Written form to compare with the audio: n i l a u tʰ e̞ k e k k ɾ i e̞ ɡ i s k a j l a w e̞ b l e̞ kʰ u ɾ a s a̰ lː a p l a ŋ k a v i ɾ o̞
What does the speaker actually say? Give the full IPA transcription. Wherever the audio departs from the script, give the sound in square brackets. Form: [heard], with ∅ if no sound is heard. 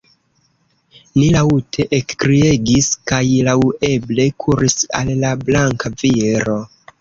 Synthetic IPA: n i l a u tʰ e̞ [ʔ] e k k ɾ i e̞ ɡ i s k a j l a w e̞ b l e̞ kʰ u ɾ [i] s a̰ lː a [b] l a ŋ k a v i ɾ o̞